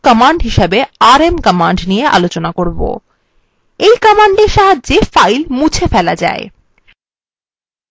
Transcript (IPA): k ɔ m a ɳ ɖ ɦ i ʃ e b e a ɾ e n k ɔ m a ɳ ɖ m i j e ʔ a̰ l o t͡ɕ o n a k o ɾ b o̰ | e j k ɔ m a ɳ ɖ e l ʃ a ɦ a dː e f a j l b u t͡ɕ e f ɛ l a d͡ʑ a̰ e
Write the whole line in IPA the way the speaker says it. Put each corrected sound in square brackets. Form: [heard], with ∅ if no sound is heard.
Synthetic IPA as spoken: k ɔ m a ɳ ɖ ɦ i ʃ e b e a ɾ e [m] k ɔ m a ɳ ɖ [n] i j e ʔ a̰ l o t͡ɕ o n a k o ɾ b o̰ | e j k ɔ m a ɳ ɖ e [ɾ] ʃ a ɦ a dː e f a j l [m] u [t͡ɕʰ] e f ɛ l a d͡ʑ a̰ e